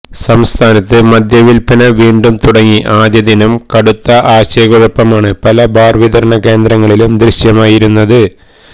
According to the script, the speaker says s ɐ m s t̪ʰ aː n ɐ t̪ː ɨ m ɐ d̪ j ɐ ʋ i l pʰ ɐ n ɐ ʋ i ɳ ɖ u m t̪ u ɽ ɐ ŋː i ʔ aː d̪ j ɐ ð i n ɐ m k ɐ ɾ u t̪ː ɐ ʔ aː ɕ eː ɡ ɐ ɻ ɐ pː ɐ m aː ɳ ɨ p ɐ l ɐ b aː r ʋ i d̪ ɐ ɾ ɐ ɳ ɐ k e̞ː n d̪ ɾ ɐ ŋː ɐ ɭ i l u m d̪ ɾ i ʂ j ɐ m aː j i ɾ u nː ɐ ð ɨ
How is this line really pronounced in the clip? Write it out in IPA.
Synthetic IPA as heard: s ɐ m s t̪ʰ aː n ɐ t̪ː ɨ m ɐ d̪ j ɐ ʋ i l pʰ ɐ n ɐ ʋ iː ɳ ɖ u m t̪ u ɽ ɐ ŋː i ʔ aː d̪ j ɐ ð i n ɐ m k ɐ ɽ u t̪ː ɐ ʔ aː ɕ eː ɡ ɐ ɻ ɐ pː ɐ m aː ɳ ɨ p ɐ l ɐ b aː r ʋ i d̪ ɐ ɾ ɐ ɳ ɐ k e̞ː n d̪ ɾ ɐ ŋː ɐ ɭ i l u m d̪ ɾ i ɕ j ɐ m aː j i ɾ u nː ɐ ð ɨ